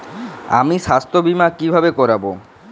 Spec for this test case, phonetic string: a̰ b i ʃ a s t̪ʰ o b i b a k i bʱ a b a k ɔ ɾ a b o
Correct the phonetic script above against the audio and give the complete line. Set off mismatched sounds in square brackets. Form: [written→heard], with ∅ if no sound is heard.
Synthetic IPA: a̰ [b→m] i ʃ a s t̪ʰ o b i [b→m] a k i bʱ a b [a→e] k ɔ ɾ a b o